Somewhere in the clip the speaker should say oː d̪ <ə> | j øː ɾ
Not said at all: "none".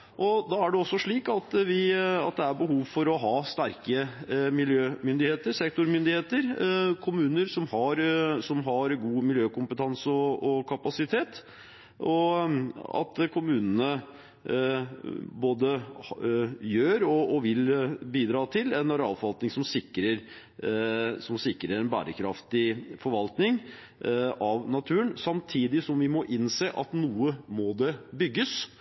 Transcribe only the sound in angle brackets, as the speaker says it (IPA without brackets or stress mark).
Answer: ə